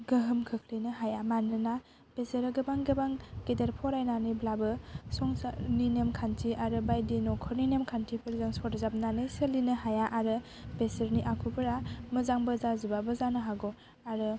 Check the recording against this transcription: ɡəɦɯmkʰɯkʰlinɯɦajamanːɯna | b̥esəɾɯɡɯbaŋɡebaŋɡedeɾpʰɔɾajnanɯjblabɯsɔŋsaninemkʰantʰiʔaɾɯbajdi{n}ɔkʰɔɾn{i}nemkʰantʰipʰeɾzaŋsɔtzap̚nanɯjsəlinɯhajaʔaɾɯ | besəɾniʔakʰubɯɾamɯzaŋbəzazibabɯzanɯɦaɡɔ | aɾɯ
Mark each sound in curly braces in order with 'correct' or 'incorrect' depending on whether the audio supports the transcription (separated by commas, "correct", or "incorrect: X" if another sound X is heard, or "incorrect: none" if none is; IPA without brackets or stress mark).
correct, correct